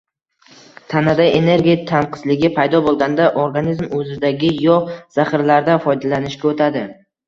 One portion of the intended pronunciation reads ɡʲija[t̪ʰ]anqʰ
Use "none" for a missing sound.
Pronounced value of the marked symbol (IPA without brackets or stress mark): t̪ʰ